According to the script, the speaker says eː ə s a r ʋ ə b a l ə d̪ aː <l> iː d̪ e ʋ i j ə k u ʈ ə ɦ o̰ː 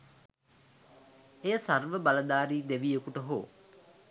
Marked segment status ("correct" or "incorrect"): incorrect